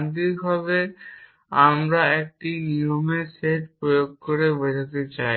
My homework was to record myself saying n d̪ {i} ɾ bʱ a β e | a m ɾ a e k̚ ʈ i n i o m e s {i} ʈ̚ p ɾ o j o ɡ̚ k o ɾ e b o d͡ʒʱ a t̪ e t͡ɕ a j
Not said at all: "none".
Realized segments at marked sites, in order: i, e

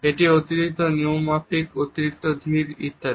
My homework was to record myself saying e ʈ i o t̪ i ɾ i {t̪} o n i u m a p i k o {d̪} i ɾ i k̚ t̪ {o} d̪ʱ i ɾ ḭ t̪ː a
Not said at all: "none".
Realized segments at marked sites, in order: t̪, t̪, o

